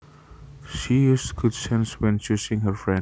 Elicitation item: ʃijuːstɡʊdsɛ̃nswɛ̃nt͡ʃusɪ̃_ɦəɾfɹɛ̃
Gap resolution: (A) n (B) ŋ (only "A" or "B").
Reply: B